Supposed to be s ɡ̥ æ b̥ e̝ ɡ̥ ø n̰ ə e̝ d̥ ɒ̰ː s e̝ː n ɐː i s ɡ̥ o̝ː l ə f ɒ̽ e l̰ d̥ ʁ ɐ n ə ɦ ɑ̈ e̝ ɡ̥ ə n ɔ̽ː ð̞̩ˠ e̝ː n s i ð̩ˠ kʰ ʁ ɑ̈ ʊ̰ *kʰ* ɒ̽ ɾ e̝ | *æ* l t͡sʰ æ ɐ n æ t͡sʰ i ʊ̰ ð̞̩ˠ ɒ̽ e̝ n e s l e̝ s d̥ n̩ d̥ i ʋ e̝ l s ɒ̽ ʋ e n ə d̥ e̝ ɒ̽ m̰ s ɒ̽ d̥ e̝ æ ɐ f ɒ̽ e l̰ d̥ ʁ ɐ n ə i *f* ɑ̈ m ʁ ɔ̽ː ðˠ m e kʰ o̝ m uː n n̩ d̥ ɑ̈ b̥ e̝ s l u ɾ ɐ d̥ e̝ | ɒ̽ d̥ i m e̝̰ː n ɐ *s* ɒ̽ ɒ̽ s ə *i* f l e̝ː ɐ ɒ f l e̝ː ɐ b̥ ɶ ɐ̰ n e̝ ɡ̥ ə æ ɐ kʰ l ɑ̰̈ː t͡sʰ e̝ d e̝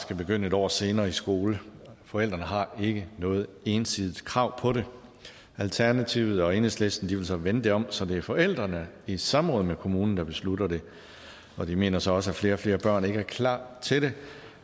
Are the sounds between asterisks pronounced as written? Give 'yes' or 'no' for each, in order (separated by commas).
no, yes, no, yes, no